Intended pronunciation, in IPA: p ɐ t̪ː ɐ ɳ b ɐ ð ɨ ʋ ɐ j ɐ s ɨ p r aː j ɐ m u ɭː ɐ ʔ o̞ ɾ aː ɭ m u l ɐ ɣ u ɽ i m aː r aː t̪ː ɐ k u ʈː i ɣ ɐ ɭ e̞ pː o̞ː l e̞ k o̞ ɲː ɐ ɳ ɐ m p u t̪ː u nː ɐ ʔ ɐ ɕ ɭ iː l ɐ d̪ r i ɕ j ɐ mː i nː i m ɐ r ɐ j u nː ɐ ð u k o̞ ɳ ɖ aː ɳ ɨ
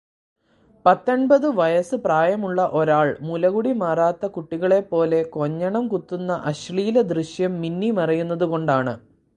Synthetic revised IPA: p ɐ t̪ː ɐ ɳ b ɐ ð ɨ ʋ ɐ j ɐ s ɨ p r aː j ɐ m u ɭː ɐ ʔ o̞ ɾ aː ɭ m u l ɐ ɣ u ɽ i m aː r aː t̪ː ɐ k u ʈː i ɣ ɐ ɭ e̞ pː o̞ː l e̞ k o̞ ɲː ɐ ɳ ɐ m k u t̪ː u nː ɐ ʔ ɐ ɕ ɭ iː l ɐ d̪ r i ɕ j ɐ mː i nː i m ɐ r ɐ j u nː ɐ ð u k o̞ ɳ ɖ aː ɳ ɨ